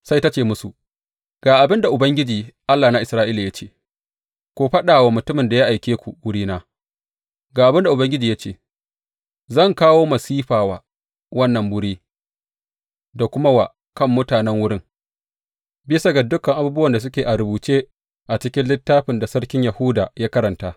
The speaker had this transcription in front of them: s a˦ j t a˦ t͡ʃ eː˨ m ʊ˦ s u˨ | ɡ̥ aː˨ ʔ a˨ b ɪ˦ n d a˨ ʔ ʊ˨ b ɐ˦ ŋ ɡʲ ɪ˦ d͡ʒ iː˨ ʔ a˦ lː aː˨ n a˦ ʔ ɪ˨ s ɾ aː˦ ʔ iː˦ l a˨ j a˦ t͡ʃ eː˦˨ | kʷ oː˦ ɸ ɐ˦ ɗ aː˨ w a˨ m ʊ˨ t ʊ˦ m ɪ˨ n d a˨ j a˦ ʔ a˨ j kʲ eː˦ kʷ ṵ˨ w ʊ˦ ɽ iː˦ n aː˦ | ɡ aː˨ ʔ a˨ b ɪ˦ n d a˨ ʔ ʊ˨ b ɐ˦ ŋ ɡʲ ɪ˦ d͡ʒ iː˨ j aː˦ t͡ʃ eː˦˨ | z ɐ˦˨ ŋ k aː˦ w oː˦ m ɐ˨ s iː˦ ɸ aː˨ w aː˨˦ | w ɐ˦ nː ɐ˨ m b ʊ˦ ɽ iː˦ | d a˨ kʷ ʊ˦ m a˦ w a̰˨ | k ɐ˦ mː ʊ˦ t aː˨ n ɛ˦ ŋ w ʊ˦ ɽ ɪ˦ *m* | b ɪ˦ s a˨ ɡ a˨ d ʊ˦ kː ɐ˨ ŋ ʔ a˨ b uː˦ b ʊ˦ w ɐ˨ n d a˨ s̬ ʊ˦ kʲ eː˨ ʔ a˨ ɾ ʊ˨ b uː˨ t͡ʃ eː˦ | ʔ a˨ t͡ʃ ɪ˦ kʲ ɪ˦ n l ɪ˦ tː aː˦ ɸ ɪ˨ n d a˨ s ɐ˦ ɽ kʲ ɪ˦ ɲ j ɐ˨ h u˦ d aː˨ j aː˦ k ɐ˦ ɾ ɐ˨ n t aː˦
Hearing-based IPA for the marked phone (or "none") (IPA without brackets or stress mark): ŋ